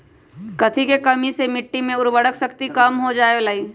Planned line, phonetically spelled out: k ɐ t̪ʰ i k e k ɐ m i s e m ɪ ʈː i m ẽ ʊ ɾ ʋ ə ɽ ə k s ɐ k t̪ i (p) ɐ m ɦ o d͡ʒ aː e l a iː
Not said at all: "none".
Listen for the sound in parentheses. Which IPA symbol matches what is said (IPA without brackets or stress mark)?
k